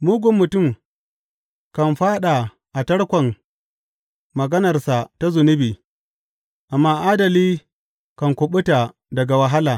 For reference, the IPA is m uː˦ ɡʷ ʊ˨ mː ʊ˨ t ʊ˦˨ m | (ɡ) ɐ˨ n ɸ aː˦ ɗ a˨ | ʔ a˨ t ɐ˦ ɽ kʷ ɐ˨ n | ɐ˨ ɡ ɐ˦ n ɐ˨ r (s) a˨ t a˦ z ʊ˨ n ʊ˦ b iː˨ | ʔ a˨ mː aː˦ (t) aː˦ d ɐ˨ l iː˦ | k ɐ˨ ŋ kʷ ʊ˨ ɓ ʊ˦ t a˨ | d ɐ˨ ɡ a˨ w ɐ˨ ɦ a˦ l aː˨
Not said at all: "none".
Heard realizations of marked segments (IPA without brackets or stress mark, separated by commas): k, s, ʔ